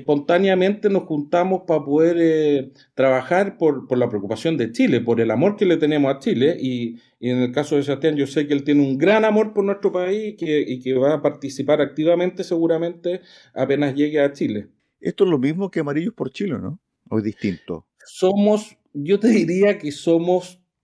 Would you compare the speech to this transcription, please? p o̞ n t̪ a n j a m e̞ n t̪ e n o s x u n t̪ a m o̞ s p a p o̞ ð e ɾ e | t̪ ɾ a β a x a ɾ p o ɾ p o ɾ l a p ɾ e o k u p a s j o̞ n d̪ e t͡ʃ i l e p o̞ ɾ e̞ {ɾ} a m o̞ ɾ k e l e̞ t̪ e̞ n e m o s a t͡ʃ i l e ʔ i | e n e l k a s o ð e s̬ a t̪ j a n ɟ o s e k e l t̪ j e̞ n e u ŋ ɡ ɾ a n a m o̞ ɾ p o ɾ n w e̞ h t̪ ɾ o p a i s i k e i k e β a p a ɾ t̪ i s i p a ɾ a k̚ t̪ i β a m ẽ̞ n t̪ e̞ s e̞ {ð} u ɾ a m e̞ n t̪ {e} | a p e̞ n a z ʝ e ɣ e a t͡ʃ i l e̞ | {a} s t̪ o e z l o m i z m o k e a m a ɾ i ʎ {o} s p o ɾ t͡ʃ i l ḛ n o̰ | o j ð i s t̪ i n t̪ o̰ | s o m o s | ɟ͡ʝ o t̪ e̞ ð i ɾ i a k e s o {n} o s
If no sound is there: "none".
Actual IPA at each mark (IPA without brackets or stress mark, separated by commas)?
l, ɣ, e, e, o, m